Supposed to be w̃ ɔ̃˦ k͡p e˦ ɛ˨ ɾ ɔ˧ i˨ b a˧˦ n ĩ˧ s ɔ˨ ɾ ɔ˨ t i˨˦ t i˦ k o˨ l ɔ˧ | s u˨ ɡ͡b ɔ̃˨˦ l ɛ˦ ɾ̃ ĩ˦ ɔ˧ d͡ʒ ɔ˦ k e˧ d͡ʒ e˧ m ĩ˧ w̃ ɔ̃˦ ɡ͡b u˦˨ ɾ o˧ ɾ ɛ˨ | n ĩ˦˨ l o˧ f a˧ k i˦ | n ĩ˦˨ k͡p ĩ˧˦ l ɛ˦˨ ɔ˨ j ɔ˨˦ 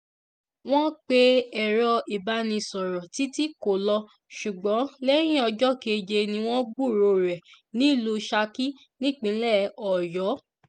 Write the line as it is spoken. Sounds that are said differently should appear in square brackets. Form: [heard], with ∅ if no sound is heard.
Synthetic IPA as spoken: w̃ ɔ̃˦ k͡p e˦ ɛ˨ ɾ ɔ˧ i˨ b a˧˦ n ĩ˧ s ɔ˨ ɾ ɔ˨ t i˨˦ t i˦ k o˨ l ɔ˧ | [ʃ] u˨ ɡ͡b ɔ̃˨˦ l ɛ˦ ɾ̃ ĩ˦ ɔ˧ d͡ʒ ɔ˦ k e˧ d͡ʒ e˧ [n] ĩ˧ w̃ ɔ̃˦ ɡ͡b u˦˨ ɾ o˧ ɾ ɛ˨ | n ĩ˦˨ l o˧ [ʃ] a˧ k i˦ | n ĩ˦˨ k͡p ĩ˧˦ l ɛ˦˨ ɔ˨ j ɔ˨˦